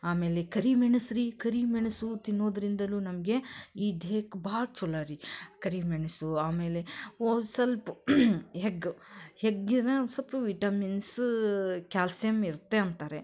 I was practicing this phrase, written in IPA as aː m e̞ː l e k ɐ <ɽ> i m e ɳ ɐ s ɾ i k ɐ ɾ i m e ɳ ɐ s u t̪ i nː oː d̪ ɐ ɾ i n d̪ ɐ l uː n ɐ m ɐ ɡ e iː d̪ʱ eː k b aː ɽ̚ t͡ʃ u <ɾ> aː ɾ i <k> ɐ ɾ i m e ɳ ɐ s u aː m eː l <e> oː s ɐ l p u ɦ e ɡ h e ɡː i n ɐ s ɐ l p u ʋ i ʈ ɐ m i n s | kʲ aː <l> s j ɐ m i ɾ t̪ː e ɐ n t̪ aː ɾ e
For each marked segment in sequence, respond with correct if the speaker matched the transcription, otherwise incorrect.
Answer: incorrect: ɾ, incorrect: l, correct, correct, correct

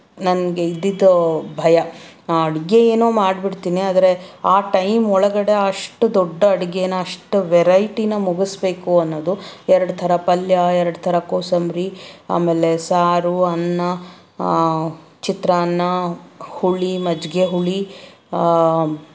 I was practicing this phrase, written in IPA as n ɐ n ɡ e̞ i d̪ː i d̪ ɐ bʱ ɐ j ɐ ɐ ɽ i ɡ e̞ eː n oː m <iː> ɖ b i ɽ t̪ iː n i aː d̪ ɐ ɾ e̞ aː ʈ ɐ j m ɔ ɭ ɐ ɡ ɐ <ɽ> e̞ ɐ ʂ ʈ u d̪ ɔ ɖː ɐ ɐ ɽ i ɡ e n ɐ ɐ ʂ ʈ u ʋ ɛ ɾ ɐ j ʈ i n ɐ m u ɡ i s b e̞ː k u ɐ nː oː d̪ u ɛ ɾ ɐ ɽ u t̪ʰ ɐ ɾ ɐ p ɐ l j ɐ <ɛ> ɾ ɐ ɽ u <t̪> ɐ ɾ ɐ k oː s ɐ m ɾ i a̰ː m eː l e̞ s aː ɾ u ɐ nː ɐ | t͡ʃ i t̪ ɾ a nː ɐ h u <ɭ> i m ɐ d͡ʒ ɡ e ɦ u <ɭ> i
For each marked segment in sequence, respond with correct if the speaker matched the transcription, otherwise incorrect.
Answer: incorrect: aː, correct, correct, incorrect: t̪ʰ, correct, correct

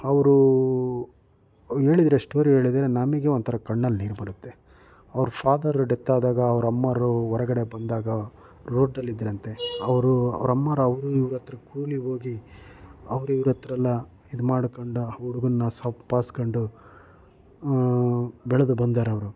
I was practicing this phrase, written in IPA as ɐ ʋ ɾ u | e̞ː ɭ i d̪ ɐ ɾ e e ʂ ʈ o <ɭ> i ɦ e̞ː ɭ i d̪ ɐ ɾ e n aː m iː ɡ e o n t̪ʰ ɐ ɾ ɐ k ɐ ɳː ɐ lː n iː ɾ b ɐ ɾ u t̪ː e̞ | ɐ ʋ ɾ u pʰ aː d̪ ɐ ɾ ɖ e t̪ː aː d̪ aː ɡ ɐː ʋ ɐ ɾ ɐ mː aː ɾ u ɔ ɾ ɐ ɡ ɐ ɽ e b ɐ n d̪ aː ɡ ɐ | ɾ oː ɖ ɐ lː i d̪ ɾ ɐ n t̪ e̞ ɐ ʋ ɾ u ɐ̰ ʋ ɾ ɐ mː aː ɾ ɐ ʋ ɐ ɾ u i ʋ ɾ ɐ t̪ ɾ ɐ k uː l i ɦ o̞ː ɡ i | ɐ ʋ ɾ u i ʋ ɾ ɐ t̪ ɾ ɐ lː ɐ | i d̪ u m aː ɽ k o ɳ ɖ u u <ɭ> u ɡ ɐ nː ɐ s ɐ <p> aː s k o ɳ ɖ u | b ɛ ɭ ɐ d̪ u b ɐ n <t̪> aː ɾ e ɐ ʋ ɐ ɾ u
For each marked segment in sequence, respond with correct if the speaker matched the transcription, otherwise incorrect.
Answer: incorrect: ɾ, incorrect: ɽ, correct, incorrect: d̪

